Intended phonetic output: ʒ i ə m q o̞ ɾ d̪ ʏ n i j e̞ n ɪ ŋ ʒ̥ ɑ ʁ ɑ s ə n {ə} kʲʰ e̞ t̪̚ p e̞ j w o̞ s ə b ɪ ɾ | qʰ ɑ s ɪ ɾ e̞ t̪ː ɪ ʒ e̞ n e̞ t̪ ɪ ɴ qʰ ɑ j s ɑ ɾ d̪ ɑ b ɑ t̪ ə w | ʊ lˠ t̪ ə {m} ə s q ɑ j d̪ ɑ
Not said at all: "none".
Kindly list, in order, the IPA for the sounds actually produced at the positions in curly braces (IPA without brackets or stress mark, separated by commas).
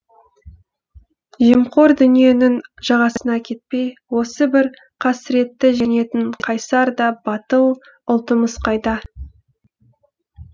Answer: ɑ, m